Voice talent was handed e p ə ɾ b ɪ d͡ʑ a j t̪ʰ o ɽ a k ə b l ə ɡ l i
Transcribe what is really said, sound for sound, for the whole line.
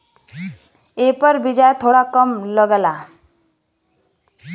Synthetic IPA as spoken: e p ə ɾ b i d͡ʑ a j t̪ʰ o ɽ a k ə m l ə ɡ l a